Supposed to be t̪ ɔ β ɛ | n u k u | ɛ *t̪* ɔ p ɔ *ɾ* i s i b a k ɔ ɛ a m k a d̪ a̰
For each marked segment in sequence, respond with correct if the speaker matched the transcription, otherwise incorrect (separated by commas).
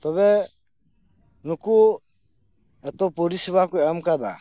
correct, correct